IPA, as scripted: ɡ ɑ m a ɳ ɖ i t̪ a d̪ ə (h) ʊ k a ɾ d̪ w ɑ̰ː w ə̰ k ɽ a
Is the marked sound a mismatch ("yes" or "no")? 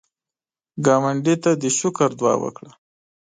yes